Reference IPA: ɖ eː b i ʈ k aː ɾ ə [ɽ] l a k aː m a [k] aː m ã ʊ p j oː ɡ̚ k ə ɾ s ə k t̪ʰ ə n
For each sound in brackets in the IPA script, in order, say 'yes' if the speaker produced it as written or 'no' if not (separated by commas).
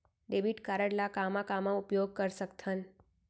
yes, yes